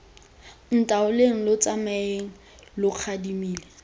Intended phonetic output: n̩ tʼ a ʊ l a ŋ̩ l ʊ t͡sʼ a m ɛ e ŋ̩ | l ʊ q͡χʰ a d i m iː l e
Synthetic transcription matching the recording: n̩ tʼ a ʊ l e ŋ̩ l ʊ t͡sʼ a m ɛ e ŋ̩ | l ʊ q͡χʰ a d i m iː l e

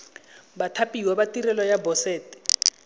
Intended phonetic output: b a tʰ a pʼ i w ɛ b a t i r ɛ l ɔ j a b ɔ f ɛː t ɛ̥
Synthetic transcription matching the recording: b a tʰ a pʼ i w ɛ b a t i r ɛ l ɔ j a b ɔ s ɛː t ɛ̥

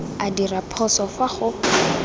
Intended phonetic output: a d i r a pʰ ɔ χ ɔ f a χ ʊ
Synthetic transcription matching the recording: a d i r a pʰ ɔ s ɔ f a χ ʊ

